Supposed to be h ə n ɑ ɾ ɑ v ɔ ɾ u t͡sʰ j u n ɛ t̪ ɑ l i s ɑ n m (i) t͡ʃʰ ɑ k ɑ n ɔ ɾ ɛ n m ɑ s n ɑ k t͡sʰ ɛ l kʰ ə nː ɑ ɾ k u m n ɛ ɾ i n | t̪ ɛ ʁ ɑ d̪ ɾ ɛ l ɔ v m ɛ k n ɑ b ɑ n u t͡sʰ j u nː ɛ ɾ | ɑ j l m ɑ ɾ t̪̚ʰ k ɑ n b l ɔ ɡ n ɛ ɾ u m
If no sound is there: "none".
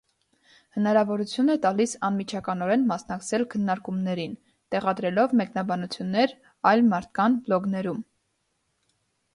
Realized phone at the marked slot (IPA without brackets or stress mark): i